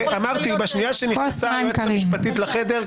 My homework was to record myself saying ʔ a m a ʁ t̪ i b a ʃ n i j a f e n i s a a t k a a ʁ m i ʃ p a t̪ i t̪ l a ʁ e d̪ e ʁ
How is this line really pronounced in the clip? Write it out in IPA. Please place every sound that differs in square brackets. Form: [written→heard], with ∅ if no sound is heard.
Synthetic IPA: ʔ a m a ʁ t̪ i b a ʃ n i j a [f→ʃ] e n i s a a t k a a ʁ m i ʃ p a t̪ i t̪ l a [ʁ→χ] e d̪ e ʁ